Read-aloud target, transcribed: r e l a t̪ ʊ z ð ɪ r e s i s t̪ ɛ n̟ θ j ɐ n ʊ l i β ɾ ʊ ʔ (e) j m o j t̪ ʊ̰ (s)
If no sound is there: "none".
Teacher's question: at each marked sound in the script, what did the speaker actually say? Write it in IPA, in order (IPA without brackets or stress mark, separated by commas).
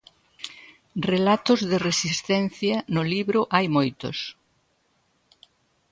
a, s